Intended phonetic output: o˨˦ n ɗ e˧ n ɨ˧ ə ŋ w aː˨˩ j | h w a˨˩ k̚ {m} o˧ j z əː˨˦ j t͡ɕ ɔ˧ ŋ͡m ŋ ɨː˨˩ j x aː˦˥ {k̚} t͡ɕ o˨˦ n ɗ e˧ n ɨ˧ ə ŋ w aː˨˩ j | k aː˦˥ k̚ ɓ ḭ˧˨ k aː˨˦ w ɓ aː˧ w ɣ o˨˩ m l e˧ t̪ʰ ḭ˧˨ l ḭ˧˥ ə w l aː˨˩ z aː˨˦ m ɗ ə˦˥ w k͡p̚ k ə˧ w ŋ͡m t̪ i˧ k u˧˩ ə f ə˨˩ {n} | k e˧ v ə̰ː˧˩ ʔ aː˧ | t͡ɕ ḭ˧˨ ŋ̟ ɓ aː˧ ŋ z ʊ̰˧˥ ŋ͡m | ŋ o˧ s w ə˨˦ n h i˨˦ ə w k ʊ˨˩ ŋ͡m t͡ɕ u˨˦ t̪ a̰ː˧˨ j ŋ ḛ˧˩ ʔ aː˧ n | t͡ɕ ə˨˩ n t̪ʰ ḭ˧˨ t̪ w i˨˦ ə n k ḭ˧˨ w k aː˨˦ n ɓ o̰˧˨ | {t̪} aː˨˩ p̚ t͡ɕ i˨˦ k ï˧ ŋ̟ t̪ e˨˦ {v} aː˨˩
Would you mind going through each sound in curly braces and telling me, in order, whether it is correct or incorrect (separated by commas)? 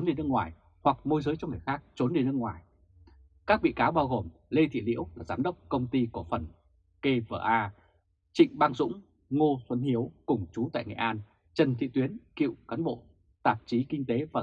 correct, correct, correct, correct, correct